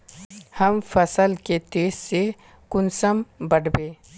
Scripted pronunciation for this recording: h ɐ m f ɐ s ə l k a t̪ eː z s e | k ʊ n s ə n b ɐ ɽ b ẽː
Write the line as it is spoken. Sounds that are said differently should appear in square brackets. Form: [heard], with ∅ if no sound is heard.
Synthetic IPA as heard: h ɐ m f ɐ s ə l k [e] t̪ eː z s e | k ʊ n s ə [m] b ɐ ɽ b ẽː